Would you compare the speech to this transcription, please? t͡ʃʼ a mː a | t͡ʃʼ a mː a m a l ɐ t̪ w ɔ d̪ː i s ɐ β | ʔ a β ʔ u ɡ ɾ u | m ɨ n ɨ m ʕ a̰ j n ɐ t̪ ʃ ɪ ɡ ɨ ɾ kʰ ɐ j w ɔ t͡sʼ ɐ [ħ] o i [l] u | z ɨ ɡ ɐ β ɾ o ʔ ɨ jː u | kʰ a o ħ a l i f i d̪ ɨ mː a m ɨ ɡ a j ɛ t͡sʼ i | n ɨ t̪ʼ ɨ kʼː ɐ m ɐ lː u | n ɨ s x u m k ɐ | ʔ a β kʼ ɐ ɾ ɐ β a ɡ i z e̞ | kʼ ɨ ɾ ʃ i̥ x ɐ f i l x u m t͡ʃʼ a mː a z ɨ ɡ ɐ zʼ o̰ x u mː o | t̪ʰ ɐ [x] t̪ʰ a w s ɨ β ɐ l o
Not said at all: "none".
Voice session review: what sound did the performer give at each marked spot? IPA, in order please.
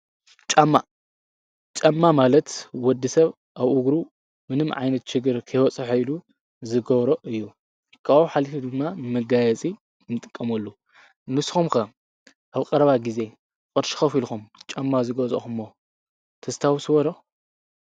ħ, l, s

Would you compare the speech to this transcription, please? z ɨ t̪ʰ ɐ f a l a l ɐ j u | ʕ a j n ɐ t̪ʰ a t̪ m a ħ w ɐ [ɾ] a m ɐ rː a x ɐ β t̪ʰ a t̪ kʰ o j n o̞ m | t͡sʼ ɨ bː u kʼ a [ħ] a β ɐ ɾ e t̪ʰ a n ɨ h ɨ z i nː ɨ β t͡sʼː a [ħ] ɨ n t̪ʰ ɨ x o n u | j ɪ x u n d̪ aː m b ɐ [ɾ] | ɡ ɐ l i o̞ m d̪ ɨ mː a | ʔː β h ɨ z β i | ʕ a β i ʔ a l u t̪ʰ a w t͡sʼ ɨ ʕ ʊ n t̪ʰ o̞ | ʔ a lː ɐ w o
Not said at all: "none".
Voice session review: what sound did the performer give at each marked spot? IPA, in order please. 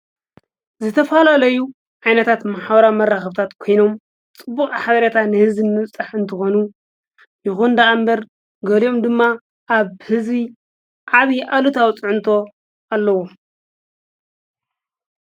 ɾ, ħ, ħ, ɾ

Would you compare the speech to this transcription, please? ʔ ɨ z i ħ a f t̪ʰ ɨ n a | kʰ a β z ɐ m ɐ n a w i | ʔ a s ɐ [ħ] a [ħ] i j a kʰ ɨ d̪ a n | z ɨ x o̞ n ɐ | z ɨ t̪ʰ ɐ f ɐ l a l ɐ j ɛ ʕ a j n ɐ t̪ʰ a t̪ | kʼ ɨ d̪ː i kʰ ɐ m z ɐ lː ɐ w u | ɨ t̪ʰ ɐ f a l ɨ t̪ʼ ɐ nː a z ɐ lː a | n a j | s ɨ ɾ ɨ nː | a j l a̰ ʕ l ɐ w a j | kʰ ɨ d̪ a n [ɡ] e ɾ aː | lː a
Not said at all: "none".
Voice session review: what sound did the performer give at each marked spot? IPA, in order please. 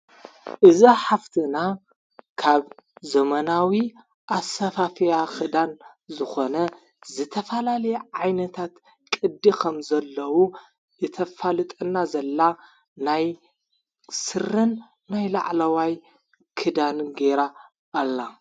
f, f, ɡ

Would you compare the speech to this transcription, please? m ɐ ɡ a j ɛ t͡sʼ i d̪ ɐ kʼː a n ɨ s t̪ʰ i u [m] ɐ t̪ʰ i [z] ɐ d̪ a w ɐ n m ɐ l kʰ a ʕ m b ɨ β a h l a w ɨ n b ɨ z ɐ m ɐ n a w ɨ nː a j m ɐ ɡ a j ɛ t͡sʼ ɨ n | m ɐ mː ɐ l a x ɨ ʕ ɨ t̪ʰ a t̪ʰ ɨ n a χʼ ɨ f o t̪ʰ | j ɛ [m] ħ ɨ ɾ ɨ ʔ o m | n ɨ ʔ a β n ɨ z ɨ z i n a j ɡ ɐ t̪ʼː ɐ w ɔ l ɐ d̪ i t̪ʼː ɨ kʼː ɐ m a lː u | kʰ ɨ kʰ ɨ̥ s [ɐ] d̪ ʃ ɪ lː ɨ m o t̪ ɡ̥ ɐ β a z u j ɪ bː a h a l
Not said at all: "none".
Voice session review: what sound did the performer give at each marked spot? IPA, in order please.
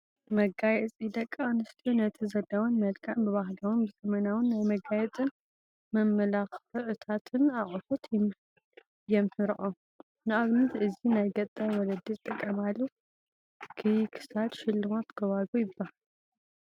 n, z, m, a

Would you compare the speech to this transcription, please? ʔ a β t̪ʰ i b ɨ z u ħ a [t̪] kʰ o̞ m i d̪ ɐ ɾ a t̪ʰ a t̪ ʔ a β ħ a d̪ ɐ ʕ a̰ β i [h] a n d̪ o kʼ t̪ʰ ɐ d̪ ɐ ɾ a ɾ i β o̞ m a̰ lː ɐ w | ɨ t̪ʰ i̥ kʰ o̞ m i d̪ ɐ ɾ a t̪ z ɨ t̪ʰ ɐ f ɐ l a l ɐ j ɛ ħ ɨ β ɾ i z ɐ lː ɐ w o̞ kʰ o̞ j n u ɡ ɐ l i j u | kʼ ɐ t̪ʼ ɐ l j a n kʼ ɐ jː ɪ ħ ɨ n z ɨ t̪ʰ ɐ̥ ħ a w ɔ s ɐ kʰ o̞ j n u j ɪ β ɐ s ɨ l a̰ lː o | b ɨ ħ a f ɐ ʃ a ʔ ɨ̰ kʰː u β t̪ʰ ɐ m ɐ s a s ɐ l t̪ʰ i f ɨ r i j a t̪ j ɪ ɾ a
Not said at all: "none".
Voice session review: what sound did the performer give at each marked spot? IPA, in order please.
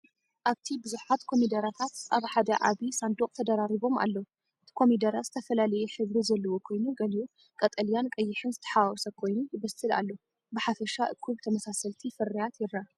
t̪, s

